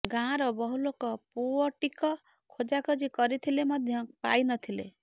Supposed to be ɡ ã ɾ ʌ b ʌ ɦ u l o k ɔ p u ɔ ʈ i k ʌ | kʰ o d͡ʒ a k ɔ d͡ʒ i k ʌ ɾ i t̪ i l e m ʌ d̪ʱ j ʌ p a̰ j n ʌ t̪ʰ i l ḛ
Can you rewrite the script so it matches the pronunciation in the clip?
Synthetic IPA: ɡ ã ɾ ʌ b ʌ ɦ u l o k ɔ p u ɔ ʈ i k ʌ | kʰ o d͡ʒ a k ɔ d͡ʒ i k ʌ ɾ i t̪ʰ i l e m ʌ d̪ʱ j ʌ p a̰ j n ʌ t̪ʰ i l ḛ